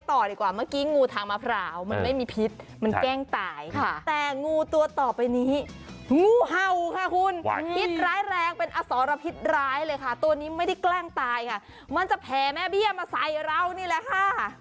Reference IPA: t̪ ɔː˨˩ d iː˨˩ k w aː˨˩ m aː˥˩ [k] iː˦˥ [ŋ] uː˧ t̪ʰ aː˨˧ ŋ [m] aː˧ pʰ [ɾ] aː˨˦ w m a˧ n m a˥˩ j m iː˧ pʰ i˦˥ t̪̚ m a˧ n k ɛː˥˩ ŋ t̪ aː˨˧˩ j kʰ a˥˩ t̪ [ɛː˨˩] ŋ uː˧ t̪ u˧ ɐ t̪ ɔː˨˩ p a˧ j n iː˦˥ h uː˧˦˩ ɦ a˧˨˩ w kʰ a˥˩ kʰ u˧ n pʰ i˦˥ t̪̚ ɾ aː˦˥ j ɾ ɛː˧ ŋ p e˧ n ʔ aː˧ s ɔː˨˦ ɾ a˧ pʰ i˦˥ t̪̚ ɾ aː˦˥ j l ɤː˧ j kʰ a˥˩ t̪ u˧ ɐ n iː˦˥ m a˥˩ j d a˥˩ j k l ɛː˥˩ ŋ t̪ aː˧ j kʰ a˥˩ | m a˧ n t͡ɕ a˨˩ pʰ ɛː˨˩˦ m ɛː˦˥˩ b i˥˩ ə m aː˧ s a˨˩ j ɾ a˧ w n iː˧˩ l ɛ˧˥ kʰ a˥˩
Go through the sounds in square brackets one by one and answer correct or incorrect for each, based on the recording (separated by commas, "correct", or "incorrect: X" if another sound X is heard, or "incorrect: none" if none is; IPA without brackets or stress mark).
correct, correct, correct, correct, correct